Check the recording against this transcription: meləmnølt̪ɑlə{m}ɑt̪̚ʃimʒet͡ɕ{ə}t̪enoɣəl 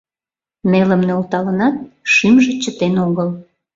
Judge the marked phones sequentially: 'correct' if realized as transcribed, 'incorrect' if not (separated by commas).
incorrect, correct